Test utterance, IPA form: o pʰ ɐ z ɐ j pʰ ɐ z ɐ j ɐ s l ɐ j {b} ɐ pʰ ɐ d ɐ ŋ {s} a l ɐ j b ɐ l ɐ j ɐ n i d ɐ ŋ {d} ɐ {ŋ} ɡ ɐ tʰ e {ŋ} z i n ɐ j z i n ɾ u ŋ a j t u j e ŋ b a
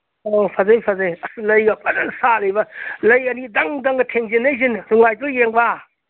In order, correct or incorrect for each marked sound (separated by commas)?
incorrect, correct, correct, correct, correct